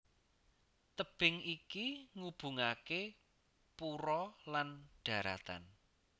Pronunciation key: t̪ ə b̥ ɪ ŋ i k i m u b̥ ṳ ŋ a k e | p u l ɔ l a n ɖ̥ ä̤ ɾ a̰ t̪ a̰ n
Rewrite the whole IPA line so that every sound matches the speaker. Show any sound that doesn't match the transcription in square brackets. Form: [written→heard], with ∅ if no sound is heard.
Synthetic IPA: t̪ ə b̥ ɪ ŋ i k i [m→ŋ] u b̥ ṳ ŋ a k e | p u [l→ɾ] ɔ l a n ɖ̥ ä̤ ɾ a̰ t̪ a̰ n